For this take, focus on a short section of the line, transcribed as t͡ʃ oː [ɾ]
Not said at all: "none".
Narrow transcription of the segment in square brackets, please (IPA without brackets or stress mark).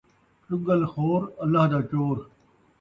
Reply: ɾ